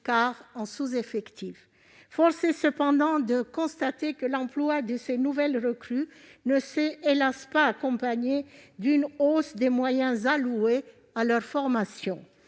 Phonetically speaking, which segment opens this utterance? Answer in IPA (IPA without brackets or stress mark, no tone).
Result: k